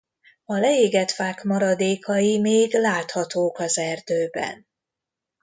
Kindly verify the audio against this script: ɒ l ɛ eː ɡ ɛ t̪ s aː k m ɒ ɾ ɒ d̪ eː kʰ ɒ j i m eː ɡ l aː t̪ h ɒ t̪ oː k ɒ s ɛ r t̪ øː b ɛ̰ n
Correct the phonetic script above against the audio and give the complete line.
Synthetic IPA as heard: ɒ l ɛ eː ɡ ɛ t̪ f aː k m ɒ ɾ ɒ d̪ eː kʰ ɒ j i m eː ɡ l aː t̪ h ɒ t̪ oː k ɒ z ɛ r d̪ øː b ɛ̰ n